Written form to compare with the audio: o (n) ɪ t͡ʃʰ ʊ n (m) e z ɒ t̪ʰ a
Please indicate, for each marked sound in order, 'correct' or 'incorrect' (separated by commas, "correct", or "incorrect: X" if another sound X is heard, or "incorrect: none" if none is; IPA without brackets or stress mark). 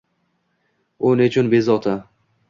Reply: correct, incorrect: b